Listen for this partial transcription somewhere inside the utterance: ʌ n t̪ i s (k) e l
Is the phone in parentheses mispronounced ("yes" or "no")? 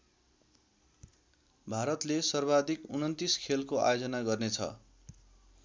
yes